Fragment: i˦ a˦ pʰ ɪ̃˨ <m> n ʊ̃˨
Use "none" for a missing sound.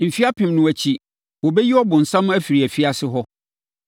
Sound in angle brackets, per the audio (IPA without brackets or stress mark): m